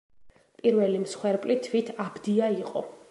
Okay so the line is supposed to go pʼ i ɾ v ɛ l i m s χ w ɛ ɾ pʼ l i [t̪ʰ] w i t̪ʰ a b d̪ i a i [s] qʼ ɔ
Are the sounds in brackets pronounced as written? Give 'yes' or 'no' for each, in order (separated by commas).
yes, no